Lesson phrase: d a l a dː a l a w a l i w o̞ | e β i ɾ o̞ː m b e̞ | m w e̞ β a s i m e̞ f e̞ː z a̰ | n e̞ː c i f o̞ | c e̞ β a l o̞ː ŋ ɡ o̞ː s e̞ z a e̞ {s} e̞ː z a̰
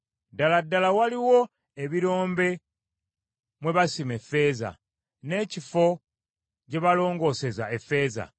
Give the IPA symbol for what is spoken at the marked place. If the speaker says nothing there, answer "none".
f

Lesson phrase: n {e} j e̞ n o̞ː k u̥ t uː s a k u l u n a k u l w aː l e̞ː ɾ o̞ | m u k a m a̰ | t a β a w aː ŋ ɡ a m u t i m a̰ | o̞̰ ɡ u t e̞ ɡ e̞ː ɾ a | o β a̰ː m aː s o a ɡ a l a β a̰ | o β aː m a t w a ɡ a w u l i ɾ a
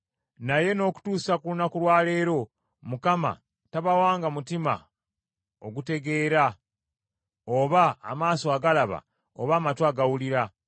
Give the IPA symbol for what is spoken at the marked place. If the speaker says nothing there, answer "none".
a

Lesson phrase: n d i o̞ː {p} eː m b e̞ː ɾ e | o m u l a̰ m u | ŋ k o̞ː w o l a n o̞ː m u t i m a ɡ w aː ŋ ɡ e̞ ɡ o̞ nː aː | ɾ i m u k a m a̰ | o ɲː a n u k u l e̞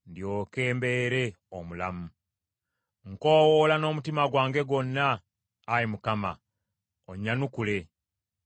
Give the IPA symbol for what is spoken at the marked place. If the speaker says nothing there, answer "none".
k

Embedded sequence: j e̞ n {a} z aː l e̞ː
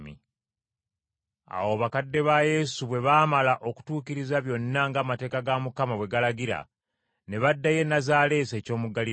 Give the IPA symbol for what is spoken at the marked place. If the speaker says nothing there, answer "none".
a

